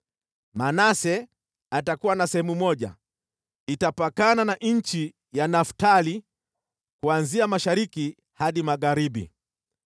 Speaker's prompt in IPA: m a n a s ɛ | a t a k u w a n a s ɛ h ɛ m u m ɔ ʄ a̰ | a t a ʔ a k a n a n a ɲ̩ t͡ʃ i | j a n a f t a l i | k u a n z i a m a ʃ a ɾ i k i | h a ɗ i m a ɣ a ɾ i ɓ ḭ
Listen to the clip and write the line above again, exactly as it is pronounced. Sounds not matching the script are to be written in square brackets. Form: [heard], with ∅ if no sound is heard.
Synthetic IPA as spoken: m a n a s ɛ | a t a k u w a n a s ɛ h ɛ m u m ɔ ʄ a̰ | [i] t a [p] a k a n a n a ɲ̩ t͡ʃ i | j a n a f t a l i | k u a n z i a m a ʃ a ɾ i k i | h a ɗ i m a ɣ a ɾ i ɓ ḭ